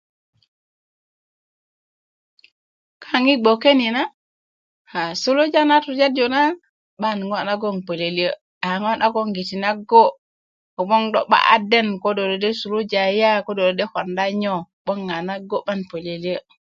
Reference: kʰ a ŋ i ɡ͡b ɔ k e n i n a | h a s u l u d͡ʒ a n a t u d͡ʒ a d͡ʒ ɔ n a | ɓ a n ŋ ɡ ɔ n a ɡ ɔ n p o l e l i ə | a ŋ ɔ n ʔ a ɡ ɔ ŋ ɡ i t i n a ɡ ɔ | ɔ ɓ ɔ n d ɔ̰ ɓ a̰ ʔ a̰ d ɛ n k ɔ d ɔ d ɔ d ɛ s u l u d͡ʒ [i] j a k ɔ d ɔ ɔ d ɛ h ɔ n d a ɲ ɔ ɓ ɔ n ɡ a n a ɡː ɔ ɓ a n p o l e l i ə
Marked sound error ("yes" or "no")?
yes